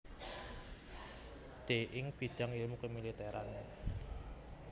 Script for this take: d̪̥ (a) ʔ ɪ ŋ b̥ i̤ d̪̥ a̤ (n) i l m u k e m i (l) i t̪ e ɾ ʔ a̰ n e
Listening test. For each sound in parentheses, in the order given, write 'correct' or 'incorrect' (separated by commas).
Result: incorrect, incorrect, correct